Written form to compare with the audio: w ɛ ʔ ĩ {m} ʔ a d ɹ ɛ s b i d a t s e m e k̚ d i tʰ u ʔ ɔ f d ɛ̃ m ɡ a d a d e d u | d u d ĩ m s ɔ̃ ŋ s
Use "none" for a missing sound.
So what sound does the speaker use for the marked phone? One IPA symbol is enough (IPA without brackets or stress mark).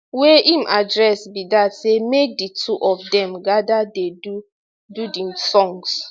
m